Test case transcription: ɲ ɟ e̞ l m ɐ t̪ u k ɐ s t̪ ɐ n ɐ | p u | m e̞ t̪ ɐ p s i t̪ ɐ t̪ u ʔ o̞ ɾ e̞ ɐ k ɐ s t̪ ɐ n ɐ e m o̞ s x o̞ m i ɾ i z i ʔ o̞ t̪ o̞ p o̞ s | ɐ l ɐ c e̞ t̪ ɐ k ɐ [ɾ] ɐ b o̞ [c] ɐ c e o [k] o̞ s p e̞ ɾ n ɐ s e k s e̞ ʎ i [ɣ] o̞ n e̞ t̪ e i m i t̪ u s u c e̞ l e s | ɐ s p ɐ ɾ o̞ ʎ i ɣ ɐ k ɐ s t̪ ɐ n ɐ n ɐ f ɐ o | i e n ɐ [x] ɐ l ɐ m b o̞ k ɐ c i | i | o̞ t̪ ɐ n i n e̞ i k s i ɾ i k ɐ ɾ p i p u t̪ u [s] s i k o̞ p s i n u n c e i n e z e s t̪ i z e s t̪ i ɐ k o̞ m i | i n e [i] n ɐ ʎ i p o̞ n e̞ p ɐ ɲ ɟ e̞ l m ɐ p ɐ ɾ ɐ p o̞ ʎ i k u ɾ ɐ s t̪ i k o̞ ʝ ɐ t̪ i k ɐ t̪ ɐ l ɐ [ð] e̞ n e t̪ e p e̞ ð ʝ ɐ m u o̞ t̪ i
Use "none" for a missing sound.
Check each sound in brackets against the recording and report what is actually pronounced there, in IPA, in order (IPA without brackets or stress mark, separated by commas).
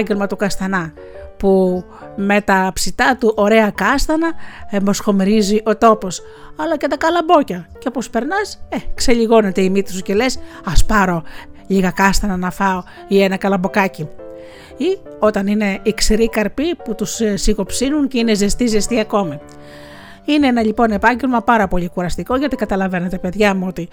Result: l, c, p, ɣ, k, s, e, v